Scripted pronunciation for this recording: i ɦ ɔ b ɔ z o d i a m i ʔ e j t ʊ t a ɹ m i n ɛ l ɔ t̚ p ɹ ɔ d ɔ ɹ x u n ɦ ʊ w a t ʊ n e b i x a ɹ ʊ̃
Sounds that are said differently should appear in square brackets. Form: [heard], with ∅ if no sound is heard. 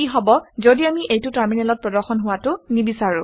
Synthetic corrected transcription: i ɦ ɔ b ɔ z o d i a m i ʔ e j t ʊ t a ɹ m i n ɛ l ɔ t̚ p ɹ ɔ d ɔ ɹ x [ɔ] n ɦ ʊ w a t ʊ n [i] b i [s] a ɹ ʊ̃